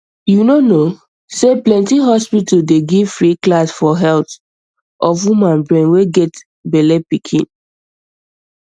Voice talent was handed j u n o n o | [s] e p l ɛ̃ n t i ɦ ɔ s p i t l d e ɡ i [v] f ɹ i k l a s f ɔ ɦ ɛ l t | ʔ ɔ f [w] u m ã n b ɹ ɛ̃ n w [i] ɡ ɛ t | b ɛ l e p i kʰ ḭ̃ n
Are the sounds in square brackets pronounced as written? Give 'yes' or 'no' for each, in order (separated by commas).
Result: yes, yes, yes, no